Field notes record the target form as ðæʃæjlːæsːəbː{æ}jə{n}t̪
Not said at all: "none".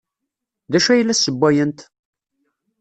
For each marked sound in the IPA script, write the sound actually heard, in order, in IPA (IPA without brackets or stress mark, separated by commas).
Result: æ, n